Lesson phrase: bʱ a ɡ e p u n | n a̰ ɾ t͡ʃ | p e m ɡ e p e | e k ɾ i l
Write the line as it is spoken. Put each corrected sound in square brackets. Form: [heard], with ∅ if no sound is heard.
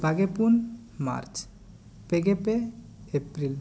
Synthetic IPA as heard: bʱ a ɡ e p u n | [m] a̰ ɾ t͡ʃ | p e [∅] ɡ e p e | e [p] ɾ i l